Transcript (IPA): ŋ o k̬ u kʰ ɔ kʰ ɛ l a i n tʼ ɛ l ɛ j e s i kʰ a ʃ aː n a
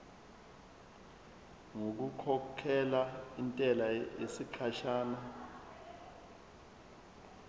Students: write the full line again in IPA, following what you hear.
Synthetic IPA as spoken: ŋ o k̬ u kʰ ɔ kʰ ɛ l a i n tʼ ɛ l a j e s i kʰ a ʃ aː n a